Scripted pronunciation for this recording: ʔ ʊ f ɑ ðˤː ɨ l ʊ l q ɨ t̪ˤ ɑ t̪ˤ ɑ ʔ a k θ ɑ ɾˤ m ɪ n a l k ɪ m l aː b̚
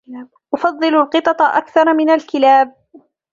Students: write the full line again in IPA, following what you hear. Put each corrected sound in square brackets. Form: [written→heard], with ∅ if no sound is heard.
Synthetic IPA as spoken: ʔ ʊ f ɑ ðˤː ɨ l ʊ l q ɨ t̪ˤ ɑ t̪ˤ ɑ ʔ a k θ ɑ ɾˤ m ɪ n a l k ɪ [m→∅] l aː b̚